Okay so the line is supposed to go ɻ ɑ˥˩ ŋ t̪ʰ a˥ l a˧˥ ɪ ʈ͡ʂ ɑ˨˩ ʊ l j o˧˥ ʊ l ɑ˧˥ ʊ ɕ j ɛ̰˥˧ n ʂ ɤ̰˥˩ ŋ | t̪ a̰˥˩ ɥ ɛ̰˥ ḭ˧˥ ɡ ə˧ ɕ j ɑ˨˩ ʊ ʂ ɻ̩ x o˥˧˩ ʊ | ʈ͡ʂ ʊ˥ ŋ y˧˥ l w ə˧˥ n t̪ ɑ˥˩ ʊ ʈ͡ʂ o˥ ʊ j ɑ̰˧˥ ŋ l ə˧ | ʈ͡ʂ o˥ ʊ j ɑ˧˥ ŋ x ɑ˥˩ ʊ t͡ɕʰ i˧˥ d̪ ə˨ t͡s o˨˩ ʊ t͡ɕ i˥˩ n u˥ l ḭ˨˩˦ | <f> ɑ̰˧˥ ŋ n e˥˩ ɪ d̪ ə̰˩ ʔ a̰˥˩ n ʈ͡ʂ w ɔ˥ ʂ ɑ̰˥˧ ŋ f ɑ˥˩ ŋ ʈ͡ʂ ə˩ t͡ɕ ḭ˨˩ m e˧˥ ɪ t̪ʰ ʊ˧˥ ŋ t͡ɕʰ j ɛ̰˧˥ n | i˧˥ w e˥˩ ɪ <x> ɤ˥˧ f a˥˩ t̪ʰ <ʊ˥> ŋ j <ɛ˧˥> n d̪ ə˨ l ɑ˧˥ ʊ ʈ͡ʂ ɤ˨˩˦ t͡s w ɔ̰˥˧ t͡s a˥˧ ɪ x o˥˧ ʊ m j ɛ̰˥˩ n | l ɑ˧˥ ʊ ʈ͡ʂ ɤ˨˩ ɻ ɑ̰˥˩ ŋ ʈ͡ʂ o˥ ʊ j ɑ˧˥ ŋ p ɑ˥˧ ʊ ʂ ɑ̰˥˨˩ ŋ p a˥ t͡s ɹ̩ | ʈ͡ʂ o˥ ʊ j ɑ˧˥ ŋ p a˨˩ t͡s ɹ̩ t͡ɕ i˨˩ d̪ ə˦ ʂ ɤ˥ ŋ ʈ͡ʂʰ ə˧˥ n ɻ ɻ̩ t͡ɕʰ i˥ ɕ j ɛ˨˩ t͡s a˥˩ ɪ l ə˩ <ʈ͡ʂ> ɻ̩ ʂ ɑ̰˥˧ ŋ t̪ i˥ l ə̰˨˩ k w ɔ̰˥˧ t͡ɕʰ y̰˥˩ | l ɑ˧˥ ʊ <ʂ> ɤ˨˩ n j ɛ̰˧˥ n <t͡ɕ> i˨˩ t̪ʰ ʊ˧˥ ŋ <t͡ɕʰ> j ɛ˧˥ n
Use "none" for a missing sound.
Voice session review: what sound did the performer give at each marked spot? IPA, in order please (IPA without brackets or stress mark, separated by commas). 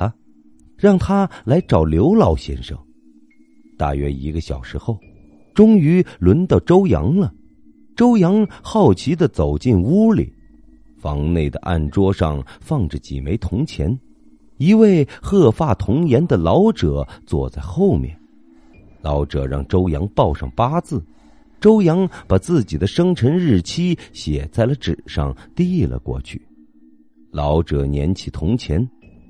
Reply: f, x, ʊ˧˥, ɛ˧˥, ʈ͡ʂ, ʈ͡ʂ, t͡ɕʰ, t͡ɕʰ